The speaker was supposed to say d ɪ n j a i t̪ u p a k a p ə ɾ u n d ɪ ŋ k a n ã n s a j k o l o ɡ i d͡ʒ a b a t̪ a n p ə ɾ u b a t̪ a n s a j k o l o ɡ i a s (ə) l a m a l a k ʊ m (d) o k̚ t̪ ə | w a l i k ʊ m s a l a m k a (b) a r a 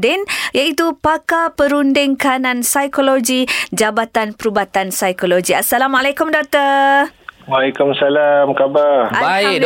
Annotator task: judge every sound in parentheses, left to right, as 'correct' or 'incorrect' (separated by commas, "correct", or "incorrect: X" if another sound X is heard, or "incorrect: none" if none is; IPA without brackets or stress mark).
incorrect: a, correct, correct